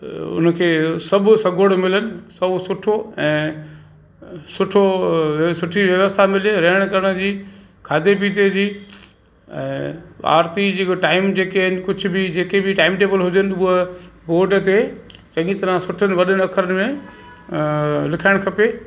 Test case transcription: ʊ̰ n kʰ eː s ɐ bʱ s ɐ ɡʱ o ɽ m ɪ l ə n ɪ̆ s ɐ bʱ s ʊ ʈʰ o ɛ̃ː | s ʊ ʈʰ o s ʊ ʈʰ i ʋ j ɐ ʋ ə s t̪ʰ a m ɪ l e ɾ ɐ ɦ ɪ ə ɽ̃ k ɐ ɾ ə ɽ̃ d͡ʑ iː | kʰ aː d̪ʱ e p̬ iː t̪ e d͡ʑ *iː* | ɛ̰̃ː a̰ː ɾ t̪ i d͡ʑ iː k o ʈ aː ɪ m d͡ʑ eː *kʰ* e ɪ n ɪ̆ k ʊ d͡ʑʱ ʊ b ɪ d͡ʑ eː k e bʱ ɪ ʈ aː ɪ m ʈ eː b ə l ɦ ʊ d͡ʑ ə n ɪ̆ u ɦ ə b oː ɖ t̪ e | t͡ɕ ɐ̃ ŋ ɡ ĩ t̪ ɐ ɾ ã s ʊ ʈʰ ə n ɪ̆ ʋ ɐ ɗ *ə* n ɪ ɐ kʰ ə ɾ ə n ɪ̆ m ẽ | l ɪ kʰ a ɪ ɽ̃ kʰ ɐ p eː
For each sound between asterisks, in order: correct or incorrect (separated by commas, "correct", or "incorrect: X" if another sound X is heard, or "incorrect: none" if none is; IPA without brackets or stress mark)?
correct, incorrect: k, correct